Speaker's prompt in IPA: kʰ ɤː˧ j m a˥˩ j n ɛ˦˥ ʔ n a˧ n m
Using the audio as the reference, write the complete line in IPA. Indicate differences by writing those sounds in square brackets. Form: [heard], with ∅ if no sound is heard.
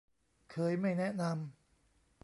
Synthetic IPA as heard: kʰ ɤː˧ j m a˥˩ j n ɛ˦˥ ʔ n a˧ [∅] m